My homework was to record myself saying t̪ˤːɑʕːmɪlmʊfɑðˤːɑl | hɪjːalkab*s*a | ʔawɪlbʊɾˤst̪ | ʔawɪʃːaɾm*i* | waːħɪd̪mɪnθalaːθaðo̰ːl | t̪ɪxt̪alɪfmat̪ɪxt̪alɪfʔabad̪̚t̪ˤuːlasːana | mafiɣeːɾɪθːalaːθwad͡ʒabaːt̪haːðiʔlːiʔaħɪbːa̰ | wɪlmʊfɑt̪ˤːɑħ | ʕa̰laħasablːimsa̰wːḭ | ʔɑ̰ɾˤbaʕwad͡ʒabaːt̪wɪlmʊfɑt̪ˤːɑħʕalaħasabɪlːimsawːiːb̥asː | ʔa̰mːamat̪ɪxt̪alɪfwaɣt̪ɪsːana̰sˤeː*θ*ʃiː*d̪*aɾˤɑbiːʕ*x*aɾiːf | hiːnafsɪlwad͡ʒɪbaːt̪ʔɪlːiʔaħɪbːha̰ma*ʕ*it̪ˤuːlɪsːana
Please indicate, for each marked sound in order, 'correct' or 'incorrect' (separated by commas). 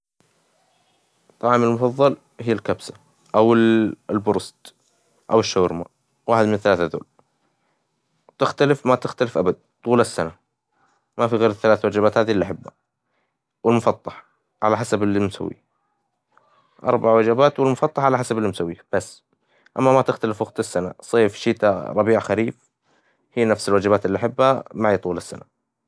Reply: correct, incorrect, incorrect, incorrect, correct, correct